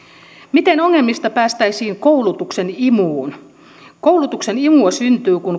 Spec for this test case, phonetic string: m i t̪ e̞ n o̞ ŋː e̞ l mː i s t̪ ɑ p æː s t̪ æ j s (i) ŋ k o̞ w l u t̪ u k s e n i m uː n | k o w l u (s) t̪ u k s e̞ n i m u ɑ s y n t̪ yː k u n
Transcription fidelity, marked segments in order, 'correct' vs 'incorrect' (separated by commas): incorrect, incorrect